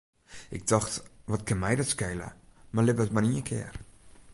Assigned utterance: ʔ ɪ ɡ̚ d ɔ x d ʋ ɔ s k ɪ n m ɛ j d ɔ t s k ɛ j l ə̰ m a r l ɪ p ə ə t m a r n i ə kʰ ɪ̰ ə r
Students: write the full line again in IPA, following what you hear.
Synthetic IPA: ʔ ɪ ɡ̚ d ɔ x t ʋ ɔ t k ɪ n m ɛ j d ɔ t s k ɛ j l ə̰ m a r l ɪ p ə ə t m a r n i ə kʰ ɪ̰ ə r